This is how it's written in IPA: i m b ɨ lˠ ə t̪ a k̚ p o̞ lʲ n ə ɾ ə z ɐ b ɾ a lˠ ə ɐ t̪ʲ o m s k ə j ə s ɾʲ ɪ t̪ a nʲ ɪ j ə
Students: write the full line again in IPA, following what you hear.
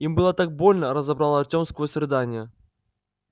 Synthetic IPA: i m b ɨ lˠ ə t̪ a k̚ b o̞ lʲ n ə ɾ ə z ɐ b ɾ a lˠ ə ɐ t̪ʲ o m s k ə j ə s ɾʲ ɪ d̪ a nʲ ɪ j ə

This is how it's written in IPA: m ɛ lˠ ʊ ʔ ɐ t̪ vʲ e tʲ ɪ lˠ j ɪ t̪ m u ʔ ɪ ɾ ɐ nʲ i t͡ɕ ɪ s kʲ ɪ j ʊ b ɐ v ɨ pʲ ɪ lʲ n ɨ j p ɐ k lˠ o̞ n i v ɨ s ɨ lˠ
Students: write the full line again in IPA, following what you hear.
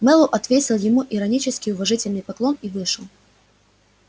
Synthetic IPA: m ɛ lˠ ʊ ʔ ɐ t̪ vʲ e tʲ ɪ lˠ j ɪ m u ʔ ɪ ɾ ɐ nʲ i t͡ɕ ɪ s kʲ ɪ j ʊ v ɐ ʐ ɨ tʲ ɪ lʲ n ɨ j p ɐ k lˠ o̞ n i v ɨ ʂ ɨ lˠ

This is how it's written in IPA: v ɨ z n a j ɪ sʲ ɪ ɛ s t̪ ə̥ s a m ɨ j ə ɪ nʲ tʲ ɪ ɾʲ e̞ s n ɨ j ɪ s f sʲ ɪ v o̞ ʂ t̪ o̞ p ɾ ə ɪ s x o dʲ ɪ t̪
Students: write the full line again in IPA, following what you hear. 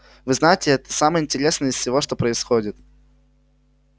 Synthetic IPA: v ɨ z n a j ɪ tʲ ɪ ɛ t̪ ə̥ s a m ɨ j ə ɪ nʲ tʲ ɪ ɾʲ e̞ s n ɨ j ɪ s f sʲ ɪ v o̞ ʂ t̪ o̞ p ɾ ə ɪ s x o dʲ ɪ t̪

